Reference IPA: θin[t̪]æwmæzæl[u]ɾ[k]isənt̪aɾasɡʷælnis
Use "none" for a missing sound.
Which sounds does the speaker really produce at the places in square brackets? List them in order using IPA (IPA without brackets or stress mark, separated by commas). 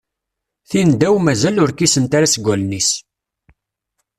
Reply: d̪, ʊ, k